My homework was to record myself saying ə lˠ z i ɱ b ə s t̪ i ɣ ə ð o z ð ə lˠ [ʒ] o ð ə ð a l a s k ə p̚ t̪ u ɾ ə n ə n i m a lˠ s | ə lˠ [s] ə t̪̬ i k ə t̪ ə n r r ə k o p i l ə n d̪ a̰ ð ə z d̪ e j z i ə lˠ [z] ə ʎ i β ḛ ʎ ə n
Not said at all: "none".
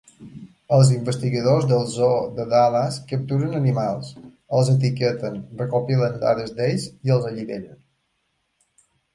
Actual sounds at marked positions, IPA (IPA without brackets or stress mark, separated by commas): z, z, z